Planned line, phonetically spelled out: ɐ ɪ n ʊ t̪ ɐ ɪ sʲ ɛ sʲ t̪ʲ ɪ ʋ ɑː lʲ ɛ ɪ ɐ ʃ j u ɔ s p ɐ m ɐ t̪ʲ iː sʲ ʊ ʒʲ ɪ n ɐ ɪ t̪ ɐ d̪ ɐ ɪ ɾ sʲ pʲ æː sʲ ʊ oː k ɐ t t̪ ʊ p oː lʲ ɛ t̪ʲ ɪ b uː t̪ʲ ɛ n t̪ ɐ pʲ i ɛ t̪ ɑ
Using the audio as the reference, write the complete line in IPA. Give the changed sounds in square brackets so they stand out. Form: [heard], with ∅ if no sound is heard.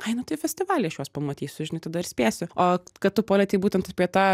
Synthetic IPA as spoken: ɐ ɪ n ʊ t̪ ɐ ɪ [fʲ] ɛ sʲ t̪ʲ ɪ ʋ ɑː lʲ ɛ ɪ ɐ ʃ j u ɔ s p ɐ m ɐ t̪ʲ iː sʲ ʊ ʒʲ ɪ n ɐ ɪ t̪ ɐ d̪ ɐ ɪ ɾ sʲ pʲ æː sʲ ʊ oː k ɐ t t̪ ʊ p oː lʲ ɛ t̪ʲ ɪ b uː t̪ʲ ɛ n t̪ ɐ pʲ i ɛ t̪ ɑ